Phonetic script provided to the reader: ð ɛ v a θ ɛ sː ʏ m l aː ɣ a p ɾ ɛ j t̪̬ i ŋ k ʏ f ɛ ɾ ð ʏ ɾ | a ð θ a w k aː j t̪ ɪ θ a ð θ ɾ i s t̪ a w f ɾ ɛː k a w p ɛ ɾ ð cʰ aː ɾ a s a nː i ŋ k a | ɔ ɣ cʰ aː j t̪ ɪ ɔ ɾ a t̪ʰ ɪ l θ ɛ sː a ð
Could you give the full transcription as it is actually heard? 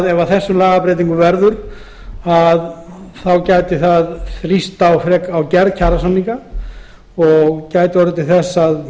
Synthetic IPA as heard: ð ɛ v a θ ɛ sː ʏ m l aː ɣ a p ɾ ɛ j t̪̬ i ŋ k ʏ v ɛ ɾ ð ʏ ɾ | a ð θ a w c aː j t̪ ɪ θ a ð θ ɾ i s t̪ a w f ɾ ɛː k a w c ɛ ɾ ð cʰ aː ɾ a s a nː i ŋ k a | ɔ ɣ c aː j t̪ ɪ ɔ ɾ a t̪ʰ ɪ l θ ɛ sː a ð